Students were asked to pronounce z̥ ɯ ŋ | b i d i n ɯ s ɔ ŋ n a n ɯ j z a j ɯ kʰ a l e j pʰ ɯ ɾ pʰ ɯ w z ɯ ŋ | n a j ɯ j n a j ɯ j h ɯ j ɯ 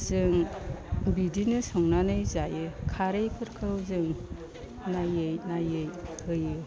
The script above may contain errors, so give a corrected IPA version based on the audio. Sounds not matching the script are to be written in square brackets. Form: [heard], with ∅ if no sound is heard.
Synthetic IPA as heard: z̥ ɯ ŋ | b i d i n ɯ s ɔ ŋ n a n ɯ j z a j ɯ kʰ a [ɾ] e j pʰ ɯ ɾ [kʰ] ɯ w z ɯ ŋ | n a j ɯ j n a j ɯ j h ɯ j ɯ